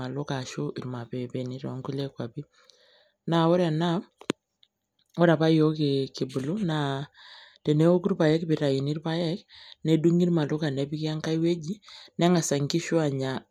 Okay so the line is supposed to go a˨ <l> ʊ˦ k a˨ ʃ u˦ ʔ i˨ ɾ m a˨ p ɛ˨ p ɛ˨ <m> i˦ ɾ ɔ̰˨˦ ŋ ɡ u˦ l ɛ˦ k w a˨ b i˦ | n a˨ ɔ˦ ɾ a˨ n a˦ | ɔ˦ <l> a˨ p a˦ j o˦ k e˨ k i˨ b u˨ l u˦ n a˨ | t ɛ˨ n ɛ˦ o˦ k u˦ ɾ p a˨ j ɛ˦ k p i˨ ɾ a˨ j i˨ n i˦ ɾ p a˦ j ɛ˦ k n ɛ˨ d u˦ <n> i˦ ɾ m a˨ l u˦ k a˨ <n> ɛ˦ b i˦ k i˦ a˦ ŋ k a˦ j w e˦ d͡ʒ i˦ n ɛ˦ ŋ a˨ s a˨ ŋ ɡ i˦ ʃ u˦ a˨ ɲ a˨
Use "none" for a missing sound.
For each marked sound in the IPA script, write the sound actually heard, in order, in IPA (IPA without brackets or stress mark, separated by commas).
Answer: l, n, ɾ, ŋ, n